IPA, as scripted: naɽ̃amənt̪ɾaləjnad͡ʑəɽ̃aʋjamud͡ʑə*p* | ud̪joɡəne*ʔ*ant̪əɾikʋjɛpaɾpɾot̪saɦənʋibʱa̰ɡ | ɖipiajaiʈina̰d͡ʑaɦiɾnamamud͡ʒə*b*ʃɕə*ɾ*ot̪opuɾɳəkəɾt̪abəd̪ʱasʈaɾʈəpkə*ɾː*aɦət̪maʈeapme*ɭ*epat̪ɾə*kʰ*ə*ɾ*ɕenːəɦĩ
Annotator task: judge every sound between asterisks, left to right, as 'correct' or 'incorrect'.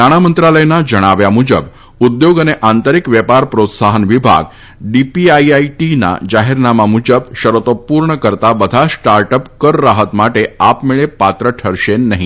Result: incorrect, correct, correct, correct, correct, correct, incorrect, correct

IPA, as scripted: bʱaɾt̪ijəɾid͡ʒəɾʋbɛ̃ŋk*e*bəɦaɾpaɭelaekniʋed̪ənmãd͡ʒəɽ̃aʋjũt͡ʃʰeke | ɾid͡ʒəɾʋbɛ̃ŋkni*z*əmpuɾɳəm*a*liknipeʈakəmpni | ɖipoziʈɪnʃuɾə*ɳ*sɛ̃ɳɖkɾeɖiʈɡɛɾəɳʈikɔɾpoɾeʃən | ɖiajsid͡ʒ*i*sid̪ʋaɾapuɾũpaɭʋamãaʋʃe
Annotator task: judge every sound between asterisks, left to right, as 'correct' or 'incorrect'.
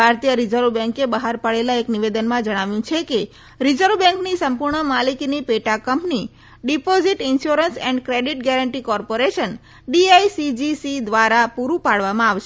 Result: correct, incorrect, correct, incorrect, correct

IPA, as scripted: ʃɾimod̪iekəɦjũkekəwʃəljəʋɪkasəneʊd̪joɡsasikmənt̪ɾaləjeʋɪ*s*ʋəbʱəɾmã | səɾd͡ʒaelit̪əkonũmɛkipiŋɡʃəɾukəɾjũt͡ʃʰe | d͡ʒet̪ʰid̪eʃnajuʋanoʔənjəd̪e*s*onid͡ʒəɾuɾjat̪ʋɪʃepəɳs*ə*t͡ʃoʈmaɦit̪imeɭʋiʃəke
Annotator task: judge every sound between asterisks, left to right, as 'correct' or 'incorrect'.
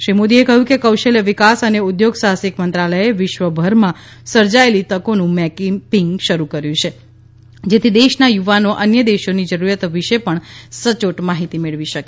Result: incorrect, incorrect, correct

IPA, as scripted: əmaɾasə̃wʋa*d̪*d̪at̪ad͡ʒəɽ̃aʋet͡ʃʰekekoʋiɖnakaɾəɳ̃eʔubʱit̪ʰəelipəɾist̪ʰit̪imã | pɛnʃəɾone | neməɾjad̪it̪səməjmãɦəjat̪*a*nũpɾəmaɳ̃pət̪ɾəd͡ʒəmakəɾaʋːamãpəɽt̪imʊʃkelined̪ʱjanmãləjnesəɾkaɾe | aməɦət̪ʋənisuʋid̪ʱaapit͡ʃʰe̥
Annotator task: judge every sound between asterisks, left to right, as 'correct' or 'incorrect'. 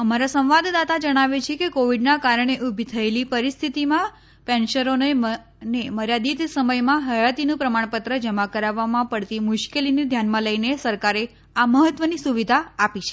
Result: correct, incorrect

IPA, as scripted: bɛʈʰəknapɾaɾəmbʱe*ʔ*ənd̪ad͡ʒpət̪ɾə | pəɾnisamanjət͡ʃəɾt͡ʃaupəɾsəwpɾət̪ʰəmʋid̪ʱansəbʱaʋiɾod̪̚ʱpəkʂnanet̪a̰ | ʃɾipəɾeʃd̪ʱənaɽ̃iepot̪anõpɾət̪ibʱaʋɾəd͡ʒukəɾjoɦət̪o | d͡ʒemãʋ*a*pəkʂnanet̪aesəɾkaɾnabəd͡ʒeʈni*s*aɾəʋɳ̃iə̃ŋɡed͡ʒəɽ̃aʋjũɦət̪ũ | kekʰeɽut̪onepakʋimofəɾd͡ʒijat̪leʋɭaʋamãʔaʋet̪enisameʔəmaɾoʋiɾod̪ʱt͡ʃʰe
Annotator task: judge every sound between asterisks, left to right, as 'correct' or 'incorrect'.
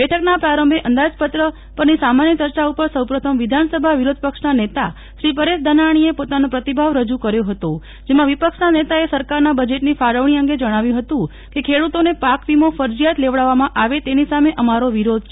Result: correct, incorrect, incorrect

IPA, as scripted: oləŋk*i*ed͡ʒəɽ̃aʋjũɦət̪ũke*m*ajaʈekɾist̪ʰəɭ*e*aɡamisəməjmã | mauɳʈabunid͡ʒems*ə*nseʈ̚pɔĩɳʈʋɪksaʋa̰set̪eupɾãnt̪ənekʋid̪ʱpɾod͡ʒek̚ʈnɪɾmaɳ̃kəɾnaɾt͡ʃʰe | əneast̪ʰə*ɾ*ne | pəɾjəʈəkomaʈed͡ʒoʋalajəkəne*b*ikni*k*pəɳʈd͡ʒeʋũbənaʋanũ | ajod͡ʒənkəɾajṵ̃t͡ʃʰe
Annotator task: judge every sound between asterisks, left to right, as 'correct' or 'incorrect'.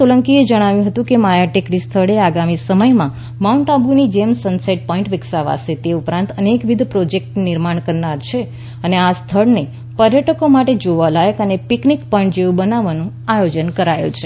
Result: correct, correct, correct, correct, incorrect, incorrect, correct

